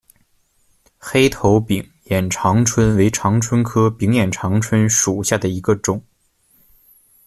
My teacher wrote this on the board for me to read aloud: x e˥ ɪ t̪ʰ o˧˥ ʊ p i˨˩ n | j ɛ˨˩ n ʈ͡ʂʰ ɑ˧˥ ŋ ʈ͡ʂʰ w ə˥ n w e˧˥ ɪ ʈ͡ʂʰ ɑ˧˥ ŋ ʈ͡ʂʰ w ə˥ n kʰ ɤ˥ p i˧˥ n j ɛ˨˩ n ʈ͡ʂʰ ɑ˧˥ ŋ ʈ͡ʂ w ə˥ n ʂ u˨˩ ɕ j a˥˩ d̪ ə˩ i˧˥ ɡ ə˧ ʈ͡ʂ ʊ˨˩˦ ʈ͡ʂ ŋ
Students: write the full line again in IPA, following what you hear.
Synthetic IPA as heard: x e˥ ɪ t̪ʰ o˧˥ ʊ p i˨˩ ŋ | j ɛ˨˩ n ʈ͡ʂʰ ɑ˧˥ ŋ ʈ͡ʂʰ w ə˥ n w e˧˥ ɪ ʈ͡ʂʰ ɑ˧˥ ŋ ʈ͡ʂʰ w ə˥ n kʰ ɤ˥ p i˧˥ ŋ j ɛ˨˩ n ʈ͡ʂʰ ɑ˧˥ ŋ ʈ͡ʂʰ w ə˥ n ʂ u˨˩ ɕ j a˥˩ d̪ ə˩ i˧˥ ɡ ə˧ ʈ͡ʂ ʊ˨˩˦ ŋ